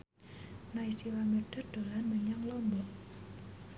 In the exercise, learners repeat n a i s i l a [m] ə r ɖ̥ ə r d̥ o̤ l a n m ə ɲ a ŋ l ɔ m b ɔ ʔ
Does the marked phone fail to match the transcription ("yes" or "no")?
no